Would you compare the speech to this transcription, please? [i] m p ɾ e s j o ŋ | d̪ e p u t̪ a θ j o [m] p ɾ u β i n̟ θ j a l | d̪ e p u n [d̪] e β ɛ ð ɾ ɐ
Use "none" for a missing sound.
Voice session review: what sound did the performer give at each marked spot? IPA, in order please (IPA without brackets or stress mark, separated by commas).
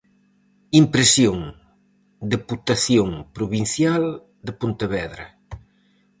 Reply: i, ŋ, t̪